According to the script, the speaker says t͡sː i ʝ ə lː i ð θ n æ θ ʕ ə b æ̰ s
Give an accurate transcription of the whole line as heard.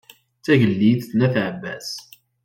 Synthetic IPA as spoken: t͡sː æ ʝ ə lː i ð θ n æ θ ʕ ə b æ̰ s